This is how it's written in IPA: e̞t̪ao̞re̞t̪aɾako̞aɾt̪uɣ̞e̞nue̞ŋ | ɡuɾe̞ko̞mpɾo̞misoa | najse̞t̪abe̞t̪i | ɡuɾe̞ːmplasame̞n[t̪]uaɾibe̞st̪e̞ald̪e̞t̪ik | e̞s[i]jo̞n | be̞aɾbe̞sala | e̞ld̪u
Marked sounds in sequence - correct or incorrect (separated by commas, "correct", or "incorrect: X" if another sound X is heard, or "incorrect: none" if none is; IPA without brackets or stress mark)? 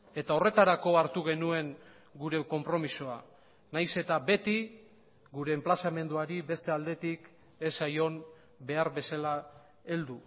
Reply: incorrect: d̪, incorrect: a